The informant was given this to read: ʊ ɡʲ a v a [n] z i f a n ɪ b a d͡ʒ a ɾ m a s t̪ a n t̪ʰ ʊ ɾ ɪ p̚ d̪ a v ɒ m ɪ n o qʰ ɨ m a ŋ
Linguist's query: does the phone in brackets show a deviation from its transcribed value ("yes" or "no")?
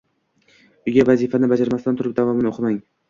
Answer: yes